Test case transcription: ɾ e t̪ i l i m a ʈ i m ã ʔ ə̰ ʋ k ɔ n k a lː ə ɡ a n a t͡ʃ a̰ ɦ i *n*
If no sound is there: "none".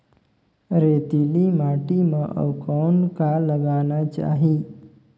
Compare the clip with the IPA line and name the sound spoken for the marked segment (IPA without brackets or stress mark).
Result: none